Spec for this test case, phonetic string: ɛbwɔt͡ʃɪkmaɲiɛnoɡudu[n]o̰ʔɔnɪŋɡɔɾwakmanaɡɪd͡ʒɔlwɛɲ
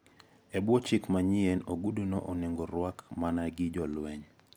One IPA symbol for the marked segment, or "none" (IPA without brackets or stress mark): n